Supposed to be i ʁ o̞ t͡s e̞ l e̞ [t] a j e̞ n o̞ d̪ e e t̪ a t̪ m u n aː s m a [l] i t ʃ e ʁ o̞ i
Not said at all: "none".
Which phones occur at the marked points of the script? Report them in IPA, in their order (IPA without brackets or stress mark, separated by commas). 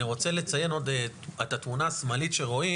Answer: t͡s, l